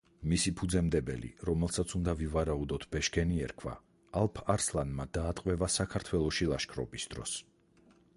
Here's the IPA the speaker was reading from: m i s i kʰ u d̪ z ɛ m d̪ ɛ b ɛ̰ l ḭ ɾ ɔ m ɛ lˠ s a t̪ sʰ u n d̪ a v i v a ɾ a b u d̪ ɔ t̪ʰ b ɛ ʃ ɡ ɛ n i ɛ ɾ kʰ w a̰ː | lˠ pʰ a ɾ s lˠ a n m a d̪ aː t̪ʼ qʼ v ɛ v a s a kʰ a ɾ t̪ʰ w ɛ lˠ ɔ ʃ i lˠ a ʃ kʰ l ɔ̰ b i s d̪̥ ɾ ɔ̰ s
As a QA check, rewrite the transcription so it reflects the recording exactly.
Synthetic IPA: m i s i pʰ u d̪ z ɛ m d̪ ɛ b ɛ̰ l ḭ ɾ ɔ m ɛ lˠ s a t̪ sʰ u n d̪ a v i v a ɾ a u d̪ ɔ t̪ʰ b ɛ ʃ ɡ ɛ n i ɛ ɾ kʰ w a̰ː | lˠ pʰ a ɾ s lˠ a n m a d̪ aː t̪ʼ qʼ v ɛ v a s a kʰ a ɾ t̪ʰ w ɛ lˠ ɔ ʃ i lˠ a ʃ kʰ ɾ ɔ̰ b i s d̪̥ ɾ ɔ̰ s